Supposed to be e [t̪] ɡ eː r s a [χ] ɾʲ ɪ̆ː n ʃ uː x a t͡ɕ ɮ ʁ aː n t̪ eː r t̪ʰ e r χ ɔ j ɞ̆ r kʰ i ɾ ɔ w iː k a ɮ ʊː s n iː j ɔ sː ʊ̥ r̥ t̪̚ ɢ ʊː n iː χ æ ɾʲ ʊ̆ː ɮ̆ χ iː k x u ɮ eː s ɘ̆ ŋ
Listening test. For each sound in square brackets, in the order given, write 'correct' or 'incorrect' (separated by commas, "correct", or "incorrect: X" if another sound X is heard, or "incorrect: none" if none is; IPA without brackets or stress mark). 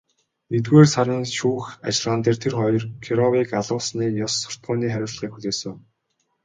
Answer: correct, incorrect: none